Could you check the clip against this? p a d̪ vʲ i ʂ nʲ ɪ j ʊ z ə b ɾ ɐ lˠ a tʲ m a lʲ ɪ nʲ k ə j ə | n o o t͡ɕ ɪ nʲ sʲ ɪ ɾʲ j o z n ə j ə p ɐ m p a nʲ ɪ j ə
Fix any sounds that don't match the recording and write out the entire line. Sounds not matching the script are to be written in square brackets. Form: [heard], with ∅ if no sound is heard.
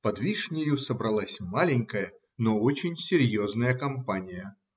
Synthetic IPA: p [ɐ] d̪ vʲ i ʂ nʲ ɪ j ʊ [s] ə b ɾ ɐ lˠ a [sʲ] m a lʲ ɪ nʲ k ə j ə | n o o t͡ɕ ɪ nʲ sʲ ɪ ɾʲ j o z n ə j ə [k] ɐ m p a nʲ ɪ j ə